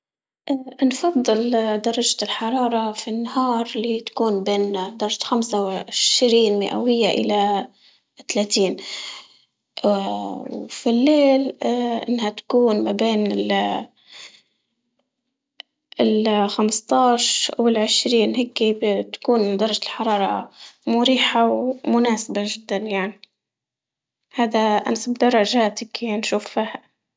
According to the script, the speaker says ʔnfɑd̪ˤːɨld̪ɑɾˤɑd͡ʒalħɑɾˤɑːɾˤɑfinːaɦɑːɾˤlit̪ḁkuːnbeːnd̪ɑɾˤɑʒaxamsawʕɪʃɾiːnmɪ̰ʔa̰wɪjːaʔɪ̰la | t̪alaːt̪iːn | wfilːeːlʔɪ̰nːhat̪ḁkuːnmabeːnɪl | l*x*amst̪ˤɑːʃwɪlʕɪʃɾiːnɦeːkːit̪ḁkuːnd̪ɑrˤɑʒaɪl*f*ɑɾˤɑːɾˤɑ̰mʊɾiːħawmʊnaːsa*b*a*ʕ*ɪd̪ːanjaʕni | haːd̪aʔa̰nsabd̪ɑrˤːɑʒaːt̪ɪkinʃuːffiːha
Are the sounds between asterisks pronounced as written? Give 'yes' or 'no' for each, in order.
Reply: yes, no, yes, no

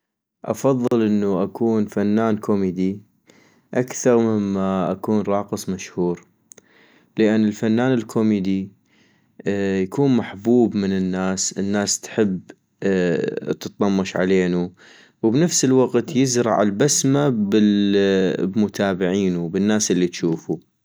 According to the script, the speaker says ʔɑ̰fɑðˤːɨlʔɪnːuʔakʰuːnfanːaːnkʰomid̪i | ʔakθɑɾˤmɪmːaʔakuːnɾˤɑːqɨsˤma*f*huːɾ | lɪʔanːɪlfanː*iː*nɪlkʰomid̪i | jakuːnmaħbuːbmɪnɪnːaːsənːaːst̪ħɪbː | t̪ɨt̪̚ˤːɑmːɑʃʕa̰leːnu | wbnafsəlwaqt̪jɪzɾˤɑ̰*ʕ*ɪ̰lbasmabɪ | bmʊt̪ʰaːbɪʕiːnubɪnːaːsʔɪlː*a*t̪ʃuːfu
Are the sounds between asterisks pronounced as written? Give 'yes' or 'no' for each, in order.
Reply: no, no, yes, no

